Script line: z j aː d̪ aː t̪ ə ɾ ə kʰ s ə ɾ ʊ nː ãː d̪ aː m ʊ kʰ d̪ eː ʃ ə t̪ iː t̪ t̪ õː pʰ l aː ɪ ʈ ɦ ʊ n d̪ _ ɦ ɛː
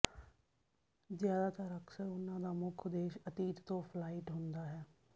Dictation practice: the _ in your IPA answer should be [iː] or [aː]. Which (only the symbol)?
aː